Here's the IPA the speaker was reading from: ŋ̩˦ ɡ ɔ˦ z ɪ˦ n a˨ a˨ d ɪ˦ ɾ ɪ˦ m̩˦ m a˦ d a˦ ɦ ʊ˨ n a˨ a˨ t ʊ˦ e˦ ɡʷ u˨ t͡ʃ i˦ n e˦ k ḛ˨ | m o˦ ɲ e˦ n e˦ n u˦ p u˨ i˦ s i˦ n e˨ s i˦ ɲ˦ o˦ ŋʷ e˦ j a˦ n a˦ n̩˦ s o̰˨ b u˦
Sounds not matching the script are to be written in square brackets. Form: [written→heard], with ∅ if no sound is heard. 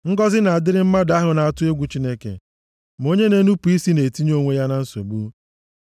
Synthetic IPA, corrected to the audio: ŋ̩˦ ɡ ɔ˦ z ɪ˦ n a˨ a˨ d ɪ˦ ɾ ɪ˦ m̩˦ m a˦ d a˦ ɦ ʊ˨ n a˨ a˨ t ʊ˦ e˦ ɡʷ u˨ t͡ʃ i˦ n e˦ k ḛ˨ | m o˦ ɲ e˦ n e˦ n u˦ p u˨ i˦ s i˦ n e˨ [s→t] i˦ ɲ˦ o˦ ŋʷ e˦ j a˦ n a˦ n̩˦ s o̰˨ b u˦